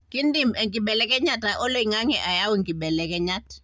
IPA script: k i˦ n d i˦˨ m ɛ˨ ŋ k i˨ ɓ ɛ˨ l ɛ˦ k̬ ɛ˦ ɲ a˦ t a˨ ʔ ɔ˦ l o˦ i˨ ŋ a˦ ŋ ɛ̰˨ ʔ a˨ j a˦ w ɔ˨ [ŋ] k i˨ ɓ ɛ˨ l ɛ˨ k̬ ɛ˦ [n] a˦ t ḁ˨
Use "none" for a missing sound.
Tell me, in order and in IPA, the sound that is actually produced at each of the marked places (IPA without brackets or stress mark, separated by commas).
ŋ, ɲ